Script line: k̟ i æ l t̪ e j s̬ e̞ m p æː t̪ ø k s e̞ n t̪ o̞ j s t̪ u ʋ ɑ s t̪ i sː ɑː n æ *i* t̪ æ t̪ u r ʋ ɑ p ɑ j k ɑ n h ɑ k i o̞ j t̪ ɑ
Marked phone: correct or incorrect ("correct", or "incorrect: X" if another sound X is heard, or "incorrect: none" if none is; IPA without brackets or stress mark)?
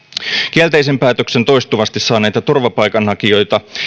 incorrect: j